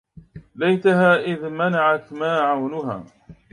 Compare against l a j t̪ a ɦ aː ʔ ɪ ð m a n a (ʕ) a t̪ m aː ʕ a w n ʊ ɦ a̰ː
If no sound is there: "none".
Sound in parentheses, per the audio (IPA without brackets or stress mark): ʕ